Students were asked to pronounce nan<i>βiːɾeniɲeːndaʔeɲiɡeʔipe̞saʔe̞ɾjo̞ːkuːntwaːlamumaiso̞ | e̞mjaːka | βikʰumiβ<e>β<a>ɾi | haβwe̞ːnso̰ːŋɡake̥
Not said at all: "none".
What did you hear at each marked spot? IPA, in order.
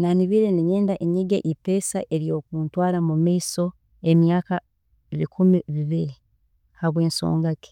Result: i, i, i

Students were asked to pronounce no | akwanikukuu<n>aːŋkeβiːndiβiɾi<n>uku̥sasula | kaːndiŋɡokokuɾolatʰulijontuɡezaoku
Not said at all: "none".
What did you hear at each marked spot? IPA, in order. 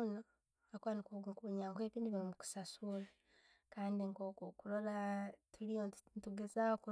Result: ɲ, m

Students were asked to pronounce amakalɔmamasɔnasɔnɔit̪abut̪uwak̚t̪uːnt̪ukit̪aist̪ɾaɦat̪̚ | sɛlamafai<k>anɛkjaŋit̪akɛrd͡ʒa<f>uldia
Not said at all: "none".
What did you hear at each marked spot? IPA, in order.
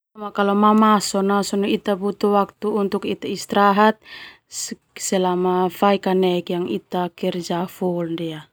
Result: k, f

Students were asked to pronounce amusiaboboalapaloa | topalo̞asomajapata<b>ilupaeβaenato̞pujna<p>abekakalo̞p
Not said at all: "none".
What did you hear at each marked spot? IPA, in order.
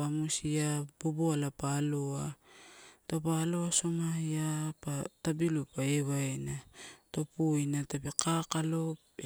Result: b, t

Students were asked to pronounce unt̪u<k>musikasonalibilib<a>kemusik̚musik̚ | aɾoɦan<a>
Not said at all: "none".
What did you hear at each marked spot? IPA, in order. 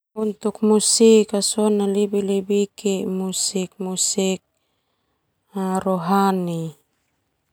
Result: k, i, i

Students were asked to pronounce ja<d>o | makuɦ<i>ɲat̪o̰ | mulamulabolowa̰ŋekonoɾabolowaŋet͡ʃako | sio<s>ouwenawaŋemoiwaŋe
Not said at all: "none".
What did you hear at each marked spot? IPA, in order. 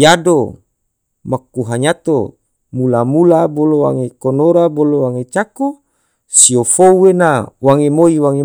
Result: d, a, f

